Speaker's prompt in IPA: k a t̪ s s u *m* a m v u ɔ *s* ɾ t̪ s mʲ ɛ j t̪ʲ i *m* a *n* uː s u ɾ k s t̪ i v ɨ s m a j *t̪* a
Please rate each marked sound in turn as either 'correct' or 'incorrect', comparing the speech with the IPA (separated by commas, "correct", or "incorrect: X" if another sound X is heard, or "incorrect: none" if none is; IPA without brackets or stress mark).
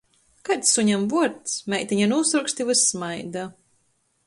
incorrect: ɲ, incorrect: none, incorrect: ɲ, correct, incorrect: d̪